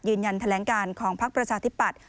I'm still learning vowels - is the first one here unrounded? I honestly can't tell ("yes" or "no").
yes